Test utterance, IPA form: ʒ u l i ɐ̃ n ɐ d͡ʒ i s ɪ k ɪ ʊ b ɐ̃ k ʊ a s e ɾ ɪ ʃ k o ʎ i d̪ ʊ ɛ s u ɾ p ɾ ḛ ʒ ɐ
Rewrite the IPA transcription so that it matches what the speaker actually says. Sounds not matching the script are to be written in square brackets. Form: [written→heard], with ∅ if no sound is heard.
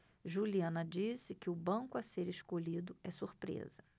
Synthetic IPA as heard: ʒ u l i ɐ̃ n ɐ d͡ʒ i s ɪ k ɪ ʊ b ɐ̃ k ʊ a s e ɾ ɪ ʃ k o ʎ i d̪ ʊ ɛ s u ɾ p ɾ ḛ [ʒ→z] ɐ